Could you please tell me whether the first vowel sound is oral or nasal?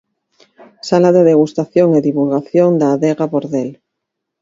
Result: oral